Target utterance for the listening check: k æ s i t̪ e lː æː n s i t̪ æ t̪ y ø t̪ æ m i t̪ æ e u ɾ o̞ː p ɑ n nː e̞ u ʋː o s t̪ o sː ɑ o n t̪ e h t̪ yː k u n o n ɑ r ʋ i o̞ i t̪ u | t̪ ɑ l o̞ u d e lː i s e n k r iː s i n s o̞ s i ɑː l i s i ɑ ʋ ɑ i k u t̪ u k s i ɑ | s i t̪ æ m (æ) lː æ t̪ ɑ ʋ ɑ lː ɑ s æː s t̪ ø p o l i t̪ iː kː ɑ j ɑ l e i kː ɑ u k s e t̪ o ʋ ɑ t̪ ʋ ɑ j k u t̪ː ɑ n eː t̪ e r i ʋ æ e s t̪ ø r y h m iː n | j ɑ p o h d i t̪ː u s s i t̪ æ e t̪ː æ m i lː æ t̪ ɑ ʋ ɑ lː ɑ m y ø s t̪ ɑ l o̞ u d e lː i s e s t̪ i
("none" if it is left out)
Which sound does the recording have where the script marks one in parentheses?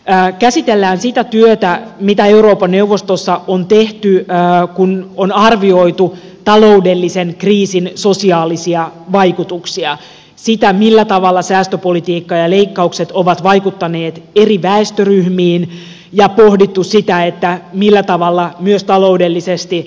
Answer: i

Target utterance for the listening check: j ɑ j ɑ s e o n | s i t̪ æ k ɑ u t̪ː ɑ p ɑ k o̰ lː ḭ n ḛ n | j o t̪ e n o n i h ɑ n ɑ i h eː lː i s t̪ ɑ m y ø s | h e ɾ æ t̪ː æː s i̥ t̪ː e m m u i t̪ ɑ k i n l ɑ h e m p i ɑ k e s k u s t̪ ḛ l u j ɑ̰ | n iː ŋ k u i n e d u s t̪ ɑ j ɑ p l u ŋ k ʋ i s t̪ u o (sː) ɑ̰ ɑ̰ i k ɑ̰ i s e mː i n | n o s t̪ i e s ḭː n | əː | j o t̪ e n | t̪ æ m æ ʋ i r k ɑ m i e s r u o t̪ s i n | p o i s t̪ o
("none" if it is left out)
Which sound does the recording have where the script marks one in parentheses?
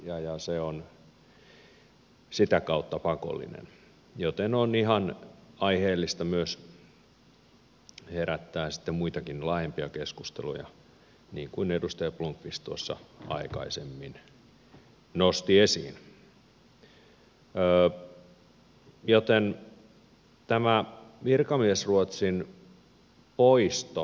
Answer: sː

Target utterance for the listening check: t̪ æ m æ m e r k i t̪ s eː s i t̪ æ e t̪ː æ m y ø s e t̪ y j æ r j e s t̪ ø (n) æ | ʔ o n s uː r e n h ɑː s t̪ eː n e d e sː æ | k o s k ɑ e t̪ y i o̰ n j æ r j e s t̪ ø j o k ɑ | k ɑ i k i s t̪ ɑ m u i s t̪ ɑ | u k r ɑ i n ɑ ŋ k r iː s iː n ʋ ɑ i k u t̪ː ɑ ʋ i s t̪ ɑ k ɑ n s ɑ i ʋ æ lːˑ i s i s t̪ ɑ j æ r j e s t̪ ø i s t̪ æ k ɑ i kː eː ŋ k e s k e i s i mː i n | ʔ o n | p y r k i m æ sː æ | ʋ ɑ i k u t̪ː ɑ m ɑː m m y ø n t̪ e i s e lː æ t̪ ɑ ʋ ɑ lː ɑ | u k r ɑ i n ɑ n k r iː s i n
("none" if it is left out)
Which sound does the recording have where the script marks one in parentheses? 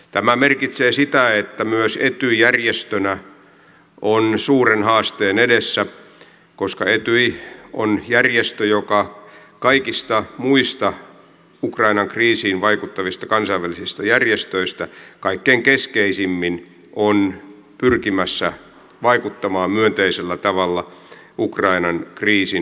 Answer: n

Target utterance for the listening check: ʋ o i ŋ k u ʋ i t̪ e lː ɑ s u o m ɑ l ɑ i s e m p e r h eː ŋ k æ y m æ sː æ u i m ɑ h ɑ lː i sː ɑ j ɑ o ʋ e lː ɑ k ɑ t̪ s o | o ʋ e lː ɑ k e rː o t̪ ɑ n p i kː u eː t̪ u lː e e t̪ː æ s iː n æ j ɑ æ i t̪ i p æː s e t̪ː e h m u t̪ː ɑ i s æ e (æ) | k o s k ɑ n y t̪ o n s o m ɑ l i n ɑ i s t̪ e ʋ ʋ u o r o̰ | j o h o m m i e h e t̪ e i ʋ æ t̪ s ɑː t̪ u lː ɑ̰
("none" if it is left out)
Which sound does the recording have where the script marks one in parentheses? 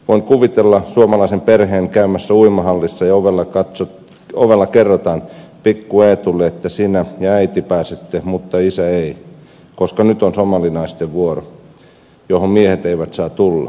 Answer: i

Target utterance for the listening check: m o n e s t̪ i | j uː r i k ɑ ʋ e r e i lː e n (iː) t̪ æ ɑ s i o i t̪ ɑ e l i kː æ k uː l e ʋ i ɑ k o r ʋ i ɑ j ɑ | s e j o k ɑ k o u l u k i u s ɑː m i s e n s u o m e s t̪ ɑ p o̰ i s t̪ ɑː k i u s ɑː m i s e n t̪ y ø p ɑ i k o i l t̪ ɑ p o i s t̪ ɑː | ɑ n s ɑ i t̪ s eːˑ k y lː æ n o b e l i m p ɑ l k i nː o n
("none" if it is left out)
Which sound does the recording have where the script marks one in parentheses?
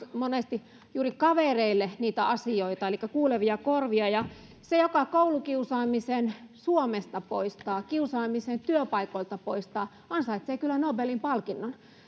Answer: iː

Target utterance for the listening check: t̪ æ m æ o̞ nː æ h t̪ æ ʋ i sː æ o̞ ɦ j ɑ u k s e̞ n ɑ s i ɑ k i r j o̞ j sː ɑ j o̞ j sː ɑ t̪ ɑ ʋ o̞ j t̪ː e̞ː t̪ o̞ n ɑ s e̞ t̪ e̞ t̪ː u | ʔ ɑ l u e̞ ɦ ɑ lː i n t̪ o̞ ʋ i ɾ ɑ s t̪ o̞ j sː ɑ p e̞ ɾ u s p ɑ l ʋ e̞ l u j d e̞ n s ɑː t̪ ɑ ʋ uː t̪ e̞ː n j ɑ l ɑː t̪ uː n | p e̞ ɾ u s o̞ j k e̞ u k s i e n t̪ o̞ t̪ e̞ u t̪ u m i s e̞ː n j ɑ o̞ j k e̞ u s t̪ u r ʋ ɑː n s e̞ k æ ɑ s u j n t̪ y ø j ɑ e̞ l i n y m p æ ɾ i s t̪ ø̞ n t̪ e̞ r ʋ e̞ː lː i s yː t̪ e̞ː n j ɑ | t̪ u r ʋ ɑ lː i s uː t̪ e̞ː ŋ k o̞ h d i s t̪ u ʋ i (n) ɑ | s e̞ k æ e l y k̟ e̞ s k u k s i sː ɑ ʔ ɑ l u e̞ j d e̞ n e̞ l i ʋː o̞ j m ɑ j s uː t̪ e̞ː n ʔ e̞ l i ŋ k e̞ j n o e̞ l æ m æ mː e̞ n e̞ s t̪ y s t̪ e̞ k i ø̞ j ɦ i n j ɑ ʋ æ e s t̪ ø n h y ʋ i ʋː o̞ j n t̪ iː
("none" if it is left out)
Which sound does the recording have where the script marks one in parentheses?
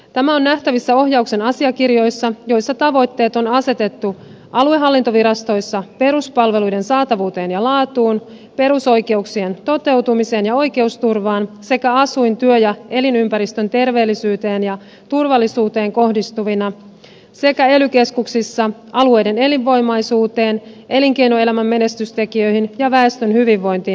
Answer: n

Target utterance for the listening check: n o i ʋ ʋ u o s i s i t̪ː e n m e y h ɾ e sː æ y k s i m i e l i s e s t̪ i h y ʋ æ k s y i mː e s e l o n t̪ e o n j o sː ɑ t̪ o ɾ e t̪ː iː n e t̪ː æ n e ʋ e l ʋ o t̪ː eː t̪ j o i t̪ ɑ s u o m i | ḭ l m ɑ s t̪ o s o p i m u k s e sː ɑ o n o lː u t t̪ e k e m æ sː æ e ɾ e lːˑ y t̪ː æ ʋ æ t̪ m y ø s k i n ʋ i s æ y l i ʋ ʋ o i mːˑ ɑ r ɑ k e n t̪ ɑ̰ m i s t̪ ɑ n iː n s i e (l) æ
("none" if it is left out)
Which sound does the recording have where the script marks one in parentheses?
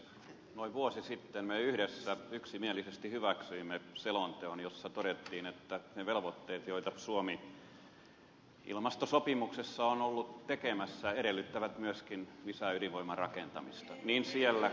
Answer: lː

